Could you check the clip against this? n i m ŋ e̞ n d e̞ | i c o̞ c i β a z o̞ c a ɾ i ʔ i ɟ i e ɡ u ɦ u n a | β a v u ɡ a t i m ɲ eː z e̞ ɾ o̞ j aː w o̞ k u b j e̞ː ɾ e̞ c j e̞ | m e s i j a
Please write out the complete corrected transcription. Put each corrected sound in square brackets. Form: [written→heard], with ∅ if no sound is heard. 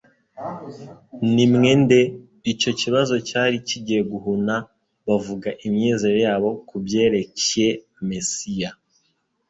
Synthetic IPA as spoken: n i m ŋ e̞ n d e̞ | i c o̞ c i β a z o̞ c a ɾ i [ʔ→c] i ɟ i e ɡ u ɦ u n a | β a v u ɡ a [t→ʔ] i m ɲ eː z e̞ ɾ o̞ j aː [w→β] o̞ k u b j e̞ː ɾ e̞ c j e̞ | m e s i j a